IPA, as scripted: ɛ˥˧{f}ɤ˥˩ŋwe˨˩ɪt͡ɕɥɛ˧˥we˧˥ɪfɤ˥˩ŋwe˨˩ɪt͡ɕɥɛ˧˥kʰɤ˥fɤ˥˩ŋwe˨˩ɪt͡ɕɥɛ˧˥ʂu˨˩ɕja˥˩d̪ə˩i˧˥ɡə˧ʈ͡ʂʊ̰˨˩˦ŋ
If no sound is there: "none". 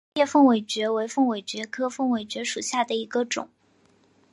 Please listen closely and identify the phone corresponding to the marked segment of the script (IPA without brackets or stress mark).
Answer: f